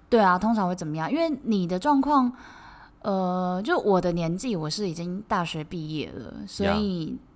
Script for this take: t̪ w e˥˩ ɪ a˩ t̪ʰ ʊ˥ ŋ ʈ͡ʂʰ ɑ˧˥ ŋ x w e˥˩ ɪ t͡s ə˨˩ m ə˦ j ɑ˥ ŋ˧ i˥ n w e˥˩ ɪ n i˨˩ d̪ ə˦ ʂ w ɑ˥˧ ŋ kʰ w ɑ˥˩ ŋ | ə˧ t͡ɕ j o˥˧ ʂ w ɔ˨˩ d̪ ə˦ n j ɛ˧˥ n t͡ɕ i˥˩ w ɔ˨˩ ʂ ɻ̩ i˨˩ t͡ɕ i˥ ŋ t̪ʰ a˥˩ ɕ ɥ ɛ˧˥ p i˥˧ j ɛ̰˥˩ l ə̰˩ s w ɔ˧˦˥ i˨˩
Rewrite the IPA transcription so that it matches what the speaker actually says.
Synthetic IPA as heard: t̪ w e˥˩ ɪ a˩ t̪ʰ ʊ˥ ŋ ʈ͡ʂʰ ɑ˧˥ ŋ x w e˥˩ ɪ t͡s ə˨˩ m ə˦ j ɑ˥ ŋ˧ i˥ n w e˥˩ ɪ n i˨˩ d̪ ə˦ ʈ͡ʂ w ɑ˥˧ ŋ kʰ w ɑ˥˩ ŋ | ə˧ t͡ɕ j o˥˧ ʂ w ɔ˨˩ d̪ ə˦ n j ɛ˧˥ n t͡ɕ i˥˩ w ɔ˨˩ ʂ ɻ̩ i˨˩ t͡ɕ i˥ ŋ t̪ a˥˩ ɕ ɥ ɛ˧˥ p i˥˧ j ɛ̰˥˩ l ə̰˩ s w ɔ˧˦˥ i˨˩